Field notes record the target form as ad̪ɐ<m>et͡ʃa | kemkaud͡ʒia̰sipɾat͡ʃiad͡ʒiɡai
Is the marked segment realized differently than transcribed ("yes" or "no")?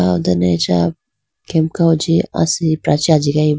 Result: yes